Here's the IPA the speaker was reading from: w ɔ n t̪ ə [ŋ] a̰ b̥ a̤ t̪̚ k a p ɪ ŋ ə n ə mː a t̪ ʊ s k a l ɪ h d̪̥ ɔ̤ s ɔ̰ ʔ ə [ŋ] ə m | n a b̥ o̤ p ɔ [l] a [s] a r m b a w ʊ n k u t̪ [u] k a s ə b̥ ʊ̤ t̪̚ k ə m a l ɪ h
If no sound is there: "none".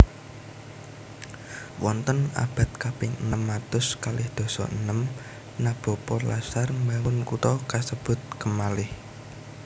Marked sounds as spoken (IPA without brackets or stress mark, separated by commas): n, n, l, s, ɔ